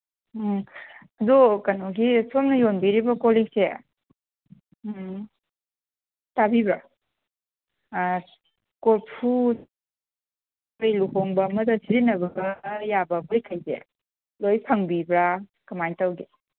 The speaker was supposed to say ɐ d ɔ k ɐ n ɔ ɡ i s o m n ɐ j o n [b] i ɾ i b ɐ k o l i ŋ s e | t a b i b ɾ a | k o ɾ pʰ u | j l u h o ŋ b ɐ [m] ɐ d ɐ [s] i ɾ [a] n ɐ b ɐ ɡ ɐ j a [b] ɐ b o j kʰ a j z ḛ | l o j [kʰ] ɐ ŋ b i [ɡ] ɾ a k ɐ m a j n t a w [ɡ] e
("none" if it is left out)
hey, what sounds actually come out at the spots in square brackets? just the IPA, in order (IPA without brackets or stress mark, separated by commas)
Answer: b, m, s, i, b, pʰ, b, ɡ